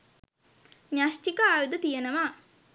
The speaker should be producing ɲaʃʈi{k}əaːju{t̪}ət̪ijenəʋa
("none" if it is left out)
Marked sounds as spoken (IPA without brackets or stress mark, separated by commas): k, d̪